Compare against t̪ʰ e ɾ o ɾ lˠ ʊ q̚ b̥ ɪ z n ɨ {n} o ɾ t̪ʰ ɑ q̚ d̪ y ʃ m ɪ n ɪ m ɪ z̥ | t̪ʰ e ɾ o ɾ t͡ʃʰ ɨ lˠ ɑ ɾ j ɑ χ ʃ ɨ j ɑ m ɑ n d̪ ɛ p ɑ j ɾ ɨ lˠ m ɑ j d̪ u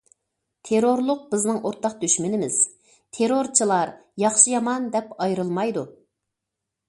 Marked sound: incorrect: ŋ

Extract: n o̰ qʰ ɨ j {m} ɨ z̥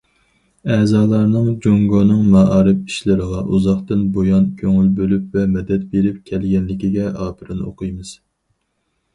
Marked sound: correct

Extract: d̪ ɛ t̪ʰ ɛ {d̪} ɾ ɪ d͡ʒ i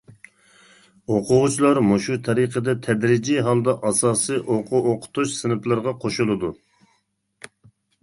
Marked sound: correct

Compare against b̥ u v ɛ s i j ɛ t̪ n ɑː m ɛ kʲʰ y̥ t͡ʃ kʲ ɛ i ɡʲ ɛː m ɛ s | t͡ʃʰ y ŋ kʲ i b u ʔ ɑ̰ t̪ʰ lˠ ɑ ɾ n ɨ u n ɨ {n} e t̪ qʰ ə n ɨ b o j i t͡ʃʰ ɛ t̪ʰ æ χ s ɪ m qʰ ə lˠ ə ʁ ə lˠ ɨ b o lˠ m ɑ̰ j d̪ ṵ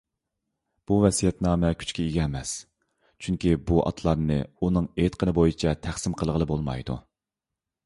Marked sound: incorrect: ŋ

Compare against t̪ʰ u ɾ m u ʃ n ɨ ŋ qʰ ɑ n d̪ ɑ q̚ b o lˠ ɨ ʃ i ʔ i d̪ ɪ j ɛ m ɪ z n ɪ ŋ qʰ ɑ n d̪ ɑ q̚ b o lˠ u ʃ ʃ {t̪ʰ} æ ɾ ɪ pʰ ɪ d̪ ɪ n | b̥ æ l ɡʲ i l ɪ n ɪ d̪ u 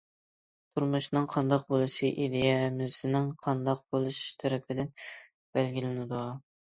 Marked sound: correct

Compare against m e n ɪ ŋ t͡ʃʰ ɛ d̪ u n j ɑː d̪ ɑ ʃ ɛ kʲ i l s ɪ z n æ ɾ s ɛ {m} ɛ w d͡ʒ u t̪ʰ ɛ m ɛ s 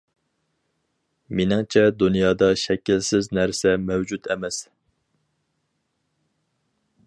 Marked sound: correct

